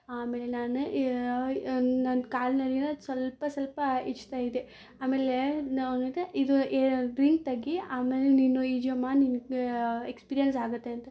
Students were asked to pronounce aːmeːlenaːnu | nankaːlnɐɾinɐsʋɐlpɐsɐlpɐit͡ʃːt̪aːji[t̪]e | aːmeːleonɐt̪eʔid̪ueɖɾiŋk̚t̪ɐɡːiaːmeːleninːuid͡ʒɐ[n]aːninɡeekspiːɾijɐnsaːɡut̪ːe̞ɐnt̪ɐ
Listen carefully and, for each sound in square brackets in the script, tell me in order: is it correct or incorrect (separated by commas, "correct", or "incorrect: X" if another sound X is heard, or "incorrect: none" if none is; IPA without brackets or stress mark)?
incorrect: d̪, incorrect: m